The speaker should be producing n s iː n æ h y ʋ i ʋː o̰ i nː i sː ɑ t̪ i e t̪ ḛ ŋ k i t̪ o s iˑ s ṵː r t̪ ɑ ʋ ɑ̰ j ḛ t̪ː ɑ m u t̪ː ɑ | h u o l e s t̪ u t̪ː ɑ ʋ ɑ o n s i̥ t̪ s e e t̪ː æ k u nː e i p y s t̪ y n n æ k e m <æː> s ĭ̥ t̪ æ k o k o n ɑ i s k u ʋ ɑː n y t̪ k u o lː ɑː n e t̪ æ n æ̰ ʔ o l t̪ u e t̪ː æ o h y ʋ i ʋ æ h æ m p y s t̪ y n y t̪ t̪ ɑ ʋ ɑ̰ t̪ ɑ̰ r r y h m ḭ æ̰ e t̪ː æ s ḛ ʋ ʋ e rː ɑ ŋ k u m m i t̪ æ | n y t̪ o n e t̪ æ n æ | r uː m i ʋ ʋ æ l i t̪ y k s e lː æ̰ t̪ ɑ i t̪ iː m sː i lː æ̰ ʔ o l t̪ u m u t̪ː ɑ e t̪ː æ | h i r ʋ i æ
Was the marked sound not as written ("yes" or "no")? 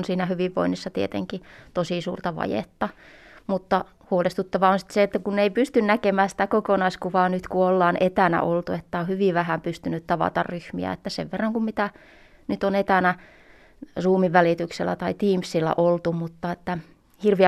no